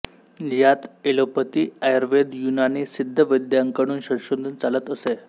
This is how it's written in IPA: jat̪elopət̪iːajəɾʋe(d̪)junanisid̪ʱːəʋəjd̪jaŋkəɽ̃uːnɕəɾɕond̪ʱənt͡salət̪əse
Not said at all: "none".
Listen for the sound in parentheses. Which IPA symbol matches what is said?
d̪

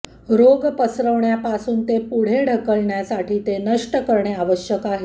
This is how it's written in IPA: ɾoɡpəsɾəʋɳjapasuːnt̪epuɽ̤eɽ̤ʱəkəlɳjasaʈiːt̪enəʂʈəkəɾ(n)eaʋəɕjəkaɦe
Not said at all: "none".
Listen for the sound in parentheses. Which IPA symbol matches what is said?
ɳ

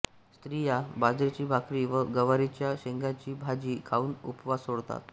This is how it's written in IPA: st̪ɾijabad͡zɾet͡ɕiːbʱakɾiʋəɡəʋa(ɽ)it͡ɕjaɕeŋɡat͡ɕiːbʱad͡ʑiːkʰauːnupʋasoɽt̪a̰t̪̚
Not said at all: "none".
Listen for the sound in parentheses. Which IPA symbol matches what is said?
ɾ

